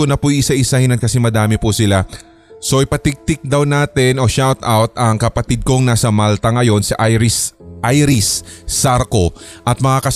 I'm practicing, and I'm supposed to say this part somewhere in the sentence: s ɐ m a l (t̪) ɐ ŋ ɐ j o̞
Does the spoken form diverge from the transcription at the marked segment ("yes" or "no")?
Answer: no